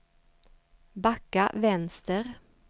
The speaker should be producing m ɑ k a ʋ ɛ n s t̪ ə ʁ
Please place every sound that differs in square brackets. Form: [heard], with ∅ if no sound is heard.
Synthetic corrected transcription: [b] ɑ k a ʋ ɛ n s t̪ ə ʁ